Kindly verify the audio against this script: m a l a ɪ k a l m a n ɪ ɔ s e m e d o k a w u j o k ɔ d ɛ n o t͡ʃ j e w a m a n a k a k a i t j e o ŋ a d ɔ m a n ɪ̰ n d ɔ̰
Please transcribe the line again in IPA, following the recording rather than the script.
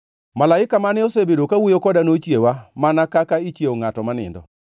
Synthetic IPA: m a l a ɪ k a m a n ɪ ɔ s e b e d o k a w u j o k ɔ d a n o t͡ʃ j e w a m a n a k a k a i t͡ʃ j e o ŋ a t ɔ m a n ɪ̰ n d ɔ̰